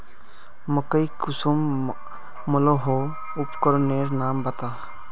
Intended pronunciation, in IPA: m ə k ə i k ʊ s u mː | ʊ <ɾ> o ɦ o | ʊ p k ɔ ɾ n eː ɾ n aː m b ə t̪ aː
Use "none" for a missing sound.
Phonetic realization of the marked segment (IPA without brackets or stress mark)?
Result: l